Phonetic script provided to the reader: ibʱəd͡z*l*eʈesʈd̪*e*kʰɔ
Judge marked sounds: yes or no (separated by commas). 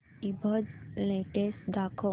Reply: yes, no